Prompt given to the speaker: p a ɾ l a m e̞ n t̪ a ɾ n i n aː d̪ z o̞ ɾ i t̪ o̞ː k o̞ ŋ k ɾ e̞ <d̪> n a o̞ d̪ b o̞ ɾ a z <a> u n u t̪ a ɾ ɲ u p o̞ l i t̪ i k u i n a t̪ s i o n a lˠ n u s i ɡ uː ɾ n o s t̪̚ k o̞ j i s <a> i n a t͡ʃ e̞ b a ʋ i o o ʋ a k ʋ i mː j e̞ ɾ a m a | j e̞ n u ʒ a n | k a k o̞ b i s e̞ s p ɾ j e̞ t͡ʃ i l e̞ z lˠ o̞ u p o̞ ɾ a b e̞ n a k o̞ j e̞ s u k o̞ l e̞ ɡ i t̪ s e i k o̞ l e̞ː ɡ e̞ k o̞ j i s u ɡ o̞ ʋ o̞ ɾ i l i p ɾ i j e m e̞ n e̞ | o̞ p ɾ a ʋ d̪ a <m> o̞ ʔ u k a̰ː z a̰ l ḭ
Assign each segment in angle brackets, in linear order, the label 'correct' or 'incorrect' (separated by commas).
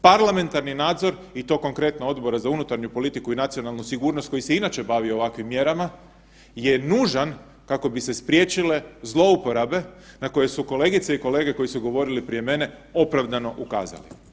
incorrect, correct, incorrect, incorrect